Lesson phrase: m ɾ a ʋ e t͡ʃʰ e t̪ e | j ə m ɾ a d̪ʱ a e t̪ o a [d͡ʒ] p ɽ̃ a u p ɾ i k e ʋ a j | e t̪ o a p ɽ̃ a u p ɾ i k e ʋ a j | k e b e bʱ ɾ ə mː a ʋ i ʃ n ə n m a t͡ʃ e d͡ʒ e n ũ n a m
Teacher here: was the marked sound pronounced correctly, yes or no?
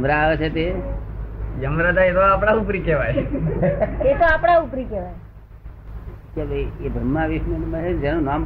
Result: no